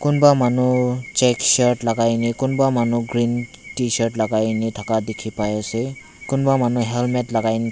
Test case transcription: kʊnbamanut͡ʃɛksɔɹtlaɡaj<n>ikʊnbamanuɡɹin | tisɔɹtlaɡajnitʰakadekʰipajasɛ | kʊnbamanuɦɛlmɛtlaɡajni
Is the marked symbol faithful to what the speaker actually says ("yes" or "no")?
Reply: yes